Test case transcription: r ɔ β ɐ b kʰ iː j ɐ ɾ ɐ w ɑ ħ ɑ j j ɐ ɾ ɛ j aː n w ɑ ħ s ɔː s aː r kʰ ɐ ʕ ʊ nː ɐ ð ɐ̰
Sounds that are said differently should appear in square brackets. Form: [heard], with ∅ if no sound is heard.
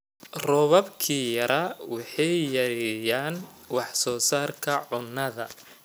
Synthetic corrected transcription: r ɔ β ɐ b kʰ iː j ɐ ɾ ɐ w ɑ ħ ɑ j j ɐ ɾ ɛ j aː n w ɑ ħ s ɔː s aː r kʰ ɐ ʕ ʊ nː ɐ ð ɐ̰